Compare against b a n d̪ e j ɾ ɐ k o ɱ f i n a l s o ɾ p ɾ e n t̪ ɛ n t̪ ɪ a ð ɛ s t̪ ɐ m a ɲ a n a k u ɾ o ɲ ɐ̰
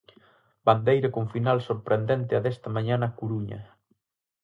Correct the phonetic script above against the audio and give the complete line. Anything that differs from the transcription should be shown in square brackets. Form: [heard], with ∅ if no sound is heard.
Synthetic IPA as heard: b a n d̪ e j ɾ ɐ k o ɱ f i n a l s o ɾ p ɾ e n [d̪] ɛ n t̪ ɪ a ð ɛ s t̪ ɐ m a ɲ a n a k u ɾ [u] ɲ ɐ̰